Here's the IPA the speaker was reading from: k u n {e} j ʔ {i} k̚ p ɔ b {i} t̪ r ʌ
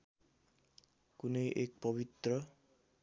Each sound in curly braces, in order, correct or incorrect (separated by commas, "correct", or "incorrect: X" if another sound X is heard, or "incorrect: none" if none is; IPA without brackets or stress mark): correct, incorrect: e, correct